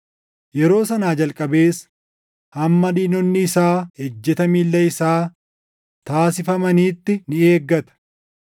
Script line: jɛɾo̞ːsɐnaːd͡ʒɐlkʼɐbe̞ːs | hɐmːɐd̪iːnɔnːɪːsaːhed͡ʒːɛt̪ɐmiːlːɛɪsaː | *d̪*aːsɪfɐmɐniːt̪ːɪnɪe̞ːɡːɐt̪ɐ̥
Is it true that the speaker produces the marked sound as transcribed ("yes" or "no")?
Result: no